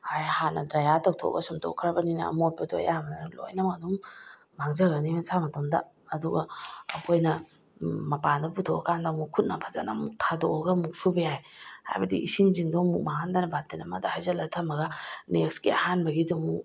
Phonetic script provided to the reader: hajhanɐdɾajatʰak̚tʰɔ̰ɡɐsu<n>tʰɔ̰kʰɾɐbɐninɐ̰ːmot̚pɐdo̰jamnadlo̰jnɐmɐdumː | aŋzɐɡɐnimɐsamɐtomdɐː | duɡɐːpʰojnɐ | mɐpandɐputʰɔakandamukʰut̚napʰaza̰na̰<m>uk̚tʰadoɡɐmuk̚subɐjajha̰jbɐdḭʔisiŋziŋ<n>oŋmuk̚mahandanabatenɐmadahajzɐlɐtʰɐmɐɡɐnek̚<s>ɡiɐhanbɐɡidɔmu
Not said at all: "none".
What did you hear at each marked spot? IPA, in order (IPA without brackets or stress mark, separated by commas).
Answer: m, m, d, s